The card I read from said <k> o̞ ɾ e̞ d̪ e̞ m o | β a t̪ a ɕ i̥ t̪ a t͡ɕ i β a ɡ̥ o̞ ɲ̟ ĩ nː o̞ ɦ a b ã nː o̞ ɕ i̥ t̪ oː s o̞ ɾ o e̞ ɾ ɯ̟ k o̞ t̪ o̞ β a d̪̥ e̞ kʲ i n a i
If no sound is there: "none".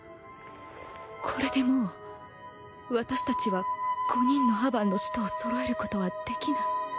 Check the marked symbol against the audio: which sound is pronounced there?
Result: kʰ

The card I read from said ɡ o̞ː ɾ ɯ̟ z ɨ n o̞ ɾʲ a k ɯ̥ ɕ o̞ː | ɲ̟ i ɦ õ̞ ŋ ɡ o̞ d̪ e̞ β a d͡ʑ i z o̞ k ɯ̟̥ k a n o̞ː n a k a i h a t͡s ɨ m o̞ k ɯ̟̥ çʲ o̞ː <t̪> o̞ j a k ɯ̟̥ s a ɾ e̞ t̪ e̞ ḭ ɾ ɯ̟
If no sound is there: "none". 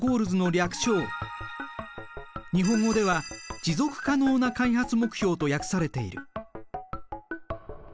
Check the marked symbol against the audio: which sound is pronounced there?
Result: t̪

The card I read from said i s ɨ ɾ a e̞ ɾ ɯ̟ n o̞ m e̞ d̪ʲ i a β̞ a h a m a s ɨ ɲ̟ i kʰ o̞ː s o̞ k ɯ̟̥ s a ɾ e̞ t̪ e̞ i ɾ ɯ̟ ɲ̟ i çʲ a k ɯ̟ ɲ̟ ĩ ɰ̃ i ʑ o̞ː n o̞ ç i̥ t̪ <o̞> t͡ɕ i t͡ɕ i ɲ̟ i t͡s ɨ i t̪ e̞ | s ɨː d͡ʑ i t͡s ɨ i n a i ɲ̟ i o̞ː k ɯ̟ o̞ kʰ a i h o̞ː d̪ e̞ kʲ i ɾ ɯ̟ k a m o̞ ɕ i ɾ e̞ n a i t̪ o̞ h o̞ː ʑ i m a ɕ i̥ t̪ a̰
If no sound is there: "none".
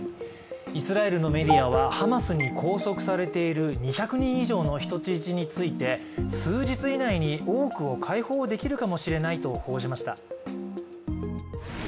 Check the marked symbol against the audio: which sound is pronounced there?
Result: o̞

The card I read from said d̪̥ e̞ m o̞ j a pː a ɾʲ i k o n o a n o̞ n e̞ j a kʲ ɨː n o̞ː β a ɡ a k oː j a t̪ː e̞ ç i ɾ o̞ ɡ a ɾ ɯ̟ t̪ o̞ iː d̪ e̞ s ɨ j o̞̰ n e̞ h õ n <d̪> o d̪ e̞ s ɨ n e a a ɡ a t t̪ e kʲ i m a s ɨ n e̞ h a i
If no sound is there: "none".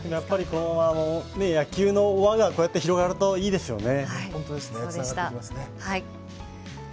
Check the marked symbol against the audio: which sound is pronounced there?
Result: t̪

